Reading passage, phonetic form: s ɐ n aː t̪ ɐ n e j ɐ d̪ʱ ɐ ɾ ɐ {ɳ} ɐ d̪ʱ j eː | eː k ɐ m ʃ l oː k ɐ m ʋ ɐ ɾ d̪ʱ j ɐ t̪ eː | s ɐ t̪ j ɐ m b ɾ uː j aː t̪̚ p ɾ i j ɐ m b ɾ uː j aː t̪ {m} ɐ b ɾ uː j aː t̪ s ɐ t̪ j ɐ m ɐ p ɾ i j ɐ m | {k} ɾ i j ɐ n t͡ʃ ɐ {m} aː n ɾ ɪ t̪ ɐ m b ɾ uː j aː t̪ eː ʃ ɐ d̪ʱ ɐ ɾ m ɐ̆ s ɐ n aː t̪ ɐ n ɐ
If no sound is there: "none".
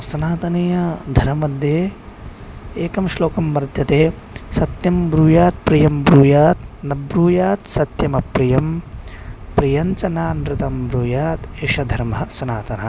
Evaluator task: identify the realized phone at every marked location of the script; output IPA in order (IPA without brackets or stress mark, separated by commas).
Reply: m, n, p, n